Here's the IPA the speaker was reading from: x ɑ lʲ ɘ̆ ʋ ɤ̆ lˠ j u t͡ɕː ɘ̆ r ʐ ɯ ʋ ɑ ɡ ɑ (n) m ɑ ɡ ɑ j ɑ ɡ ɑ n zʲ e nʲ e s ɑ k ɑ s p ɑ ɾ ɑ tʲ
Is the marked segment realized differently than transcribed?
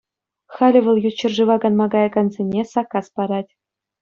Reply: no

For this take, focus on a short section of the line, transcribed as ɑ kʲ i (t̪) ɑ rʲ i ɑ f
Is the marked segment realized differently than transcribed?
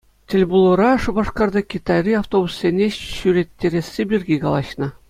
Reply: no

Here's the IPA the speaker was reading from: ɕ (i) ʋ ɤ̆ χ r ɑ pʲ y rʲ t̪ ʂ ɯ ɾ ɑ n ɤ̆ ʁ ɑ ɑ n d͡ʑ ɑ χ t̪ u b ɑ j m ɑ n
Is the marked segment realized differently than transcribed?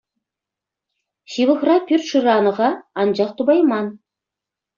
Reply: no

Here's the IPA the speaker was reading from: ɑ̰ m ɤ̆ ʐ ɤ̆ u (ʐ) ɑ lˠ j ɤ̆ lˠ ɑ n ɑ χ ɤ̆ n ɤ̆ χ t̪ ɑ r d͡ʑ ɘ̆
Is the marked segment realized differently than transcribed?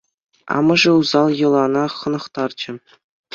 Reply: yes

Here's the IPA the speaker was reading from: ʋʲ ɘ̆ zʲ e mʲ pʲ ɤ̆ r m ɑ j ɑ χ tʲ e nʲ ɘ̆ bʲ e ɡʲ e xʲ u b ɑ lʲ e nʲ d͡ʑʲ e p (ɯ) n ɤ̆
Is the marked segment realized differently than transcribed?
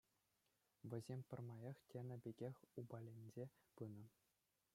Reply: no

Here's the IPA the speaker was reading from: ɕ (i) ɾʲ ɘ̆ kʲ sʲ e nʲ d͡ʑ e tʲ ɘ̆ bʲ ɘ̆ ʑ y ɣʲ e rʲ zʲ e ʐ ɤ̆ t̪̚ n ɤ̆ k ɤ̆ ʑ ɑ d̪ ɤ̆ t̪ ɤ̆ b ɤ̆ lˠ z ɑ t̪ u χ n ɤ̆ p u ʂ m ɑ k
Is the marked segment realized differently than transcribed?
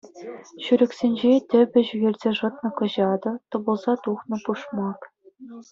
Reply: yes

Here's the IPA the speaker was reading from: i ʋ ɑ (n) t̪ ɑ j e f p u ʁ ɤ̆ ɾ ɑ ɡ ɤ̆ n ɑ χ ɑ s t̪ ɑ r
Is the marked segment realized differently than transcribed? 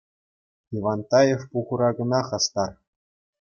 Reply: no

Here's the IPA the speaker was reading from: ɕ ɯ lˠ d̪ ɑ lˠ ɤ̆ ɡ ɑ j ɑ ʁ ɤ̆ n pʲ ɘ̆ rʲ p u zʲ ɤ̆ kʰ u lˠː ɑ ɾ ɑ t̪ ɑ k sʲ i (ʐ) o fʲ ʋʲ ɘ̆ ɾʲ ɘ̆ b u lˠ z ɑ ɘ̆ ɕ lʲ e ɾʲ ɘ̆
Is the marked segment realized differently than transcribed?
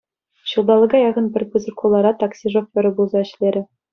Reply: no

